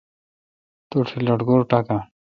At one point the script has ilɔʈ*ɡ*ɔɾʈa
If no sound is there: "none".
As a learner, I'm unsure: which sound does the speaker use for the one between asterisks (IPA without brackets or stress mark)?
ɡ